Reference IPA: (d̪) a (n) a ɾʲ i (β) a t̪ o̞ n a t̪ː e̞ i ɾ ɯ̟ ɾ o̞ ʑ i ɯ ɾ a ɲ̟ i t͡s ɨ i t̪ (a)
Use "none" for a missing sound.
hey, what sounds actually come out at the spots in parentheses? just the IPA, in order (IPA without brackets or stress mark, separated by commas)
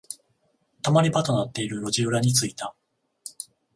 t̪, m, b, a